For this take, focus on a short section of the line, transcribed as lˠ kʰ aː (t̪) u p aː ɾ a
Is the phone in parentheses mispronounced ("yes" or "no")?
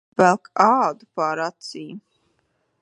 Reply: yes